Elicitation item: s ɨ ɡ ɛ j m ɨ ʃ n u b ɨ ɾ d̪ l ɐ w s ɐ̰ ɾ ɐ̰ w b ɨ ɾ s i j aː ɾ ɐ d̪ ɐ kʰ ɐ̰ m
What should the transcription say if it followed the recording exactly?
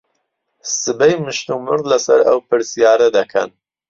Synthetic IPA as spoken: s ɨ b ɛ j m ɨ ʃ n u m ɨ ɾ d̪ l ɐ s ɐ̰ ɾ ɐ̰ w p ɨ ɾ s i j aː ɾ ɐ d̪ ɐ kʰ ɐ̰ n